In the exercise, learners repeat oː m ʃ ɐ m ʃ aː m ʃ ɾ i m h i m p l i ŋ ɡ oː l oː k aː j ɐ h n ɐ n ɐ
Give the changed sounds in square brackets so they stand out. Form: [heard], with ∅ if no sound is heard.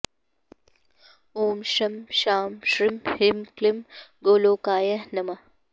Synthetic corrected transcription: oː m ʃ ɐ m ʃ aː m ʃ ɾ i m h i m [k] l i [m] ɡ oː l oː k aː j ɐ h n ɐ [m] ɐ